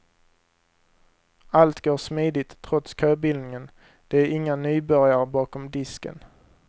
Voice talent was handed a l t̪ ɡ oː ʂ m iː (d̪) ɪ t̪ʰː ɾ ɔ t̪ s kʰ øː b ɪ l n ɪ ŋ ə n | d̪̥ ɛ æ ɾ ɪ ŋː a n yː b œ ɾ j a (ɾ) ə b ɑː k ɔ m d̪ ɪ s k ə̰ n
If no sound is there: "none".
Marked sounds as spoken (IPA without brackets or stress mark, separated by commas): d̪, ɾ